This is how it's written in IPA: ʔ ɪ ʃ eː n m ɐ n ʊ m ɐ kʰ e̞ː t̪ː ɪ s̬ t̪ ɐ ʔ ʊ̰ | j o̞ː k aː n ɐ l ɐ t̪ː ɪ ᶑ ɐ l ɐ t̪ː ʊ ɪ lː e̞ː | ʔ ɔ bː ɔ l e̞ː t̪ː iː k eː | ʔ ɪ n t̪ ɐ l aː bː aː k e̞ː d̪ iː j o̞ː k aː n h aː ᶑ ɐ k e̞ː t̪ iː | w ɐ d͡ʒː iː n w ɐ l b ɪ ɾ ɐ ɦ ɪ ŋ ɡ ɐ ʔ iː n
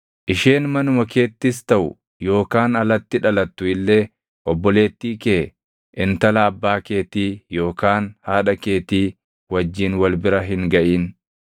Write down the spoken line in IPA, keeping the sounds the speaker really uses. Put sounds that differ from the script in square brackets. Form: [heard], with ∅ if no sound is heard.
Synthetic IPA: ʔ ɪ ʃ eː n m ɐ n ʊ m ɐ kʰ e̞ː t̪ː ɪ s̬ t̪ ɐ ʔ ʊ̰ | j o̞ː k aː n ɐ l ɐ t̪ː ɪ ᶑ ɐ l ɐ t̪ː ʊ ɪ lː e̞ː | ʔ ɔ bː ɔ l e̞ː t̪ː iː k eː | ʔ ɪ n t̪ ɐ l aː bː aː k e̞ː [t̪] iː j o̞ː k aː n h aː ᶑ ɐ k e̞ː t̪ iː | w ɐ d͡ʒː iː n w ɐ l b ɪ ɾ ɐ ɦ ɪ ŋ ɡ ɐ ʔ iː n

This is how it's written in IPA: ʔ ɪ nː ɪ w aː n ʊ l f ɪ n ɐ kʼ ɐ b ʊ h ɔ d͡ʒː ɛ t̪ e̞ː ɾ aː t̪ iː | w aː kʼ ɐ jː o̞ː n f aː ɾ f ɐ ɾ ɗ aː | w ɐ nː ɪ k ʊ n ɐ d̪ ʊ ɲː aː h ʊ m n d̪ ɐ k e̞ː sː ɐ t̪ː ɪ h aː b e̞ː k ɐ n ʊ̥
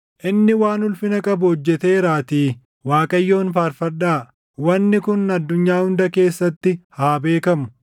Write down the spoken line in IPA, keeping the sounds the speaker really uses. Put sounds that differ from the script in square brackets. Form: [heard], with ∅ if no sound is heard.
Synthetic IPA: ʔ ɪ nː ɪ w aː n ʊ l f ɪ n ɐ kʼ ɐ b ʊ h ɔ d͡ʒː ɛ t̪ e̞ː ɾ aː t̪ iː | w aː kʼ ɐ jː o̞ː n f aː ɾ f ɐ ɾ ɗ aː | w ɐ nː ɪ k ʊ n ɐ [d̪ː] ʊ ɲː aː h ʊ [∅] n d̪ ɐ k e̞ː sː ɐ t̪ː ɪ h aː b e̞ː k ɐ [m] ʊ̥

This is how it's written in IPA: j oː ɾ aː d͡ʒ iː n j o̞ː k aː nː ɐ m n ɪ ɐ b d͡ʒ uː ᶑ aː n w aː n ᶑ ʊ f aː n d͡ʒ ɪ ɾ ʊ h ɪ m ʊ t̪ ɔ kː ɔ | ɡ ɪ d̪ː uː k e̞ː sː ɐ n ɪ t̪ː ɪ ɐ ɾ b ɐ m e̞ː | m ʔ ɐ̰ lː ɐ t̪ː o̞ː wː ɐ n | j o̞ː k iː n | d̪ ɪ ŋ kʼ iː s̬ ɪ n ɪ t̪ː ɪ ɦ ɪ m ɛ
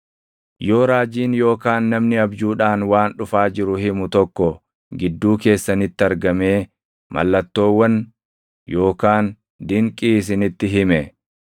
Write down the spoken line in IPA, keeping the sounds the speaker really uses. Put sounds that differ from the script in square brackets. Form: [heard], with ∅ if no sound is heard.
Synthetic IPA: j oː ɾ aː d͡ʒ iː n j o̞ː k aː nː ɐ m n ɪ ɐ b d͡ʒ uː ᶑ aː n w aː n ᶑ ʊ f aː [∅] d͡ʒ ɪ ɾ ʊ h ɪ m ʊ t̪ ɔ kː ɔ | ɡ ɪ d̪ː uː k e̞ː sː ɐ n ɪ t̪ː ɪ ɐ ɾ [ɡ] ɐ m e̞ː | m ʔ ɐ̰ lː ɐ t̪ː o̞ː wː ɐ n | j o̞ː k [aː] n | d̪ ɪ ŋ kʼ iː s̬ ɪ n ɪ t̪ː ɪ ɦ ɪ m ɛ

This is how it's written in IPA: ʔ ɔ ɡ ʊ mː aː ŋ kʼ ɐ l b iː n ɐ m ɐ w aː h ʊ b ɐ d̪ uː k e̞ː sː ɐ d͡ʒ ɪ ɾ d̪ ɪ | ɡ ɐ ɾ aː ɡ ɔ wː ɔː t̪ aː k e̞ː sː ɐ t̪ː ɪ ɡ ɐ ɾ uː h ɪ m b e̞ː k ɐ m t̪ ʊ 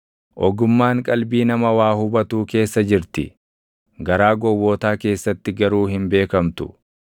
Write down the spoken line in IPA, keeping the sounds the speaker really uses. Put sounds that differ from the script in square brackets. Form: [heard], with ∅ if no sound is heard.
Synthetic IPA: ʔ ɔ ɡ ʊ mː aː ŋ kʼ ɐ l b iː n ɐ m ɐ w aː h ʊ b ɐ [t̪] uː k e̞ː sː ɐ d͡ʒ ɪ ɾ [t̪] ɪ | ɡ ɐ ɾ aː ɡ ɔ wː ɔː t̪ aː k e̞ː sː ɐ t̪ː ɪ ɡ ɐ ɾ uː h ɪ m b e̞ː k ɐ m t̪ ʊ

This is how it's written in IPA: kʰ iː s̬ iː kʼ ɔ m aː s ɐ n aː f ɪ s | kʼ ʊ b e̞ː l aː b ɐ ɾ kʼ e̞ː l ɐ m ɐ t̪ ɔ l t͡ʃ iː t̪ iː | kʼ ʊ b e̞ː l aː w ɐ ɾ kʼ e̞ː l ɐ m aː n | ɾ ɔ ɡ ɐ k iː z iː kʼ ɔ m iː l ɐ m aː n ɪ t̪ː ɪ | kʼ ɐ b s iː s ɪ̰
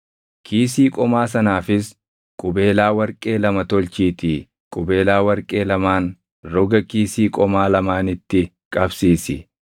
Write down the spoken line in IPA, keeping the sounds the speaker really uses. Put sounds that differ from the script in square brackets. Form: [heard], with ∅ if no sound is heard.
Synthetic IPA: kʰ iː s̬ iː kʼ ɔ m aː s ɐ n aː f ɪ s | kʼ ʊ b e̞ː l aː [w] ɐ ɾ kʼ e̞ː l ɐ m ɐ t̪ ɔ l t͡ʃ iː t̪ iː | kʼ ʊ b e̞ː l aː w ɐ ɾ kʼ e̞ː l ɐ m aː n | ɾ ɔ ɡ ɐ k iː [s] iː kʼ ɔ m [aː] l ɐ m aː n ɪ t̪ː ɪ | kʼ ɐ b s iː s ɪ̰

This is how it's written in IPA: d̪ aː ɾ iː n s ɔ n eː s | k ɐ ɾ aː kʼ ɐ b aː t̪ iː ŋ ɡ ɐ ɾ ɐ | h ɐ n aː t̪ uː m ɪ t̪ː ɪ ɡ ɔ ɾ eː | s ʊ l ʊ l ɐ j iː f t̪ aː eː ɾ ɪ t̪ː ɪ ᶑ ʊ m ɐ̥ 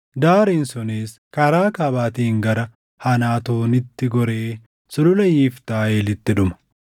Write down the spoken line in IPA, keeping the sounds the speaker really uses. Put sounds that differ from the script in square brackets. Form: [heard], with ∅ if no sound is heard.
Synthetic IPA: d̪ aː ɾ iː n s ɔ n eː s | k ɐ ɾ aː [k] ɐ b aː t̪ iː ŋ ɡ ɐ ɾ ɐ | h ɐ n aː t̪ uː [n] ɪ t̪ː ɪ ɡ ɔ ɾ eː | s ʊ l ʊ l ɐ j iː f t̪ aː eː [l] ɪ t̪ː ɪ ᶑ ʊ m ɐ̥

